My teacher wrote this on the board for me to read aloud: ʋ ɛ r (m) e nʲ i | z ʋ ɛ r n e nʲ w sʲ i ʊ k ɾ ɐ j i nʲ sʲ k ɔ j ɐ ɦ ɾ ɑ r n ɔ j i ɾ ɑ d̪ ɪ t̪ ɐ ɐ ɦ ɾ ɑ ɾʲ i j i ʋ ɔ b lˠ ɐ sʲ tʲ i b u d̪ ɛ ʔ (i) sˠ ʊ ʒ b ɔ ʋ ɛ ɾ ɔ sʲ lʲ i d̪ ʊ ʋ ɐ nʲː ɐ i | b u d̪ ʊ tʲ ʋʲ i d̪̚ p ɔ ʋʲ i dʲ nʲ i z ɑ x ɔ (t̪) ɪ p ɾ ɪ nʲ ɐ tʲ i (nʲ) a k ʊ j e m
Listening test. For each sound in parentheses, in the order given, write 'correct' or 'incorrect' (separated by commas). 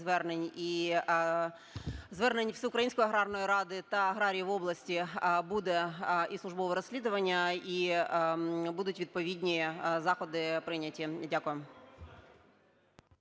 incorrect, correct, incorrect, incorrect